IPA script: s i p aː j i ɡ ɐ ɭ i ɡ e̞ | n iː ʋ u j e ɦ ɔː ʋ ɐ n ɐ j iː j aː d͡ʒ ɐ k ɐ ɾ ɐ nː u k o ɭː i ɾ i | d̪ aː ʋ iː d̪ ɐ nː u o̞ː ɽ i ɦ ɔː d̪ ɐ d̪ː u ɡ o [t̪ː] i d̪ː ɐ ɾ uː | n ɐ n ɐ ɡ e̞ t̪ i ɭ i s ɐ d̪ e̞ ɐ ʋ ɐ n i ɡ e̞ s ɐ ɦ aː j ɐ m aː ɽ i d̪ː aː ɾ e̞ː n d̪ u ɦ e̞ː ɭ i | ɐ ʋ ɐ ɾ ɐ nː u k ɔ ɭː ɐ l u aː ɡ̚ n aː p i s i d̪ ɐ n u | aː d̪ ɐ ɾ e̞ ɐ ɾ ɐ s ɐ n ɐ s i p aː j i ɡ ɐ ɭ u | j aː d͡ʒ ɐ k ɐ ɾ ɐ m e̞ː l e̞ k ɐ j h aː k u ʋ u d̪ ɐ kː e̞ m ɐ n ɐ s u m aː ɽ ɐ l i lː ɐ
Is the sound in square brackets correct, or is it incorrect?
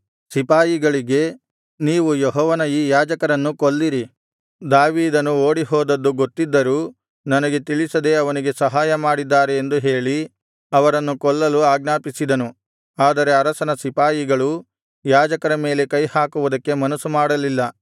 correct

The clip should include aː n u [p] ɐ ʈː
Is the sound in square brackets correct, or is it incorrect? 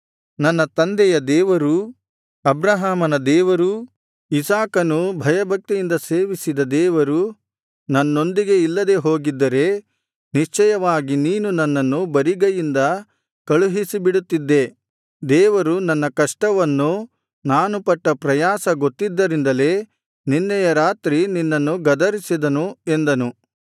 correct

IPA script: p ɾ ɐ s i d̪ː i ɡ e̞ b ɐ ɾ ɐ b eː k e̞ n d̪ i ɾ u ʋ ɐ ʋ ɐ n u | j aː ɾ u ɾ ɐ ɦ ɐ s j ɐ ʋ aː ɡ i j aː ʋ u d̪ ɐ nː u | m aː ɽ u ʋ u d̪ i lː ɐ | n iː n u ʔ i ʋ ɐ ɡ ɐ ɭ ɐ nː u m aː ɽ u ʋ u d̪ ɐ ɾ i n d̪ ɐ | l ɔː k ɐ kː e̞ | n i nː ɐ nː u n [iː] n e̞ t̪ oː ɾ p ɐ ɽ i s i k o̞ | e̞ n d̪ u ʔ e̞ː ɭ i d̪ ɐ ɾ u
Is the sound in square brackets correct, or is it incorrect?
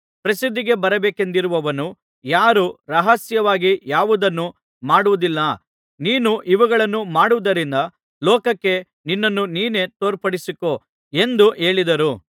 correct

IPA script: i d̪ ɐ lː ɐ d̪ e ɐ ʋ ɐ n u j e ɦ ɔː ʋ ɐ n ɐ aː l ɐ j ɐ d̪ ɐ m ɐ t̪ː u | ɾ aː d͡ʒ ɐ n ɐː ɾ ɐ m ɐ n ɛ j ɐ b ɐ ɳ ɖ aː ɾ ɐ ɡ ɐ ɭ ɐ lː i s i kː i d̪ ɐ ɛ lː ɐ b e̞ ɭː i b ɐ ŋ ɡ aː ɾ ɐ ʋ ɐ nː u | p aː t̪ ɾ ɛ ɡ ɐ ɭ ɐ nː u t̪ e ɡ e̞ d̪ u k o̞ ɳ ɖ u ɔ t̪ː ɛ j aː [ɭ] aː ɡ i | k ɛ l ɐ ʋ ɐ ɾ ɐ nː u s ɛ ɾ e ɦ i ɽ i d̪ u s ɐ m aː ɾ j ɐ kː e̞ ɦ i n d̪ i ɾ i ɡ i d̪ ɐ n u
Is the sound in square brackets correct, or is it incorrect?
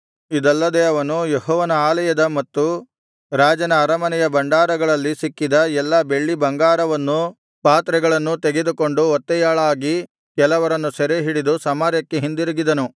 correct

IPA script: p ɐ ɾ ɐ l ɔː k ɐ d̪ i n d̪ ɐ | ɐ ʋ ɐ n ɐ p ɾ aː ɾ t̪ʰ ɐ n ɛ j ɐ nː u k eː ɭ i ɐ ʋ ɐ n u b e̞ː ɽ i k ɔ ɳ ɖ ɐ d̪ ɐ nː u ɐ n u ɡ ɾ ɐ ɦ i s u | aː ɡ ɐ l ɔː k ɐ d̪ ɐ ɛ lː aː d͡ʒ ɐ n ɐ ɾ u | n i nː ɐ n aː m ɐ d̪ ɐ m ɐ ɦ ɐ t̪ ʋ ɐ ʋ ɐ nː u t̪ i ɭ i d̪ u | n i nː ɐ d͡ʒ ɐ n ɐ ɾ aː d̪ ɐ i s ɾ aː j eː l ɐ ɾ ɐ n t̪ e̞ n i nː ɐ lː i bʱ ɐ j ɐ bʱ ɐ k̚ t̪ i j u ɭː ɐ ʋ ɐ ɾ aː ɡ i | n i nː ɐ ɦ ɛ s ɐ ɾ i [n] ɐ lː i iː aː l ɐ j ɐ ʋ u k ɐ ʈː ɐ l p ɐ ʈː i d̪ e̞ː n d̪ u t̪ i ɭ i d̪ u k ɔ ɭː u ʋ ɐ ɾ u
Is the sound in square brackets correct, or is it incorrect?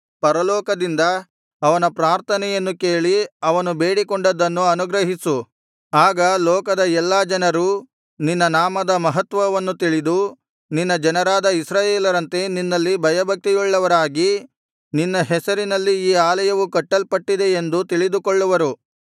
correct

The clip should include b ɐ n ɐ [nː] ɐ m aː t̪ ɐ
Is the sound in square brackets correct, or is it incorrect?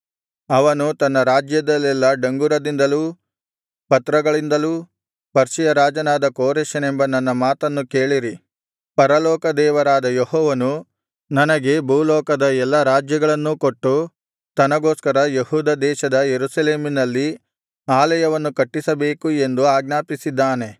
correct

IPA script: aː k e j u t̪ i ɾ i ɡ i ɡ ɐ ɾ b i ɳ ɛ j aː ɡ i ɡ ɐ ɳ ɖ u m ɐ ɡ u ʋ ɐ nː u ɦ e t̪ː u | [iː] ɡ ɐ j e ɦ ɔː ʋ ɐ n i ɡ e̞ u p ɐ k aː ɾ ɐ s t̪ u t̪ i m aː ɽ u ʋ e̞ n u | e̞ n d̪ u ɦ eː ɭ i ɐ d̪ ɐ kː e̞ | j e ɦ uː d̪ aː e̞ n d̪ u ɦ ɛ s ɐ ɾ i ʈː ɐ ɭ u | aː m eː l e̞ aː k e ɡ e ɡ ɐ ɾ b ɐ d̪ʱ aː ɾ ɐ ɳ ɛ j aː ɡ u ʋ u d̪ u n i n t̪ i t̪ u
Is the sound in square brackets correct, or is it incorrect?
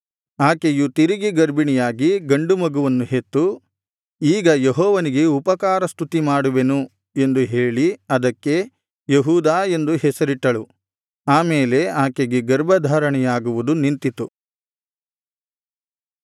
correct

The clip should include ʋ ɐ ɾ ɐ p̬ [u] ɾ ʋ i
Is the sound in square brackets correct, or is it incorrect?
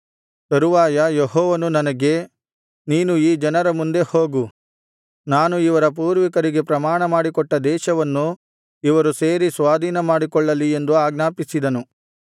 incorrect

